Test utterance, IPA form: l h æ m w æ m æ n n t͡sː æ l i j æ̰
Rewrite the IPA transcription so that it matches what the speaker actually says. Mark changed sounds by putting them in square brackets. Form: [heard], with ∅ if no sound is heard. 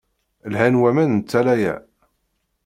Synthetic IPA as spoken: l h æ [n] w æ m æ n n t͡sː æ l [æ] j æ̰